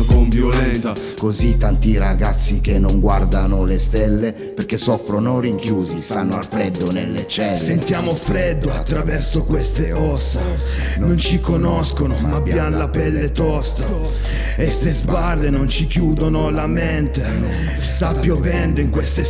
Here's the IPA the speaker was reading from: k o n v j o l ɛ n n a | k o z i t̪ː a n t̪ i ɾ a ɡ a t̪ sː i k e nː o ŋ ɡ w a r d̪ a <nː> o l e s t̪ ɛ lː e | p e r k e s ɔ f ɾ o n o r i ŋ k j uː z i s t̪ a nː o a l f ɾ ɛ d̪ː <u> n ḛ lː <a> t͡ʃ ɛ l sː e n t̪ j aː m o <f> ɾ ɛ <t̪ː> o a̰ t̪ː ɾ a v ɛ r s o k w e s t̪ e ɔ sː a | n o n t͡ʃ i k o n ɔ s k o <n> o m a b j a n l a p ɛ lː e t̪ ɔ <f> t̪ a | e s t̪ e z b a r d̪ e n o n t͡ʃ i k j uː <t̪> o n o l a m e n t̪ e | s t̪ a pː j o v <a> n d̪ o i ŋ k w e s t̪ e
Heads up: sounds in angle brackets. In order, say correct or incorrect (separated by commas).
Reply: incorrect, incorrect, incorrect, correct, incorrect, correct, incorrect, incorrect, incorrect